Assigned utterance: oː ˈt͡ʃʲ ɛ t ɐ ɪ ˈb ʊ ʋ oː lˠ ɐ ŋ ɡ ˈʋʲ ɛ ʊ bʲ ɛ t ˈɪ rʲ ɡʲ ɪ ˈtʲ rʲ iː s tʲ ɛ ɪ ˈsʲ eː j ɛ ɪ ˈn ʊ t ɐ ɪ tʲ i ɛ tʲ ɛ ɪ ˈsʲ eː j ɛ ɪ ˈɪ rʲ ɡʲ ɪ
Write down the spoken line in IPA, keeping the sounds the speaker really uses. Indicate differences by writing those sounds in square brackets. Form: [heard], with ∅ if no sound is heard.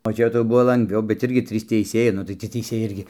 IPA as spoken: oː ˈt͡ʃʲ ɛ t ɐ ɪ ˈb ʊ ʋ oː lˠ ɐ ŋ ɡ ˈʋʲ ɛ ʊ bʲ ɛ t ˈɪ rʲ ɡʲ ɪ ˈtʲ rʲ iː s tʲ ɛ ɪ ˈsʲ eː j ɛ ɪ ˈn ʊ t ɐ ɪ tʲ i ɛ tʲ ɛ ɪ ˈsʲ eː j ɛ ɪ ˈɪ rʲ ɡʲ ɪ